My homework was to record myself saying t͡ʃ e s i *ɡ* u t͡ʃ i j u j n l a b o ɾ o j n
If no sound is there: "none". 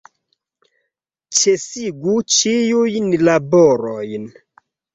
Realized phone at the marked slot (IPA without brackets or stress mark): ɡ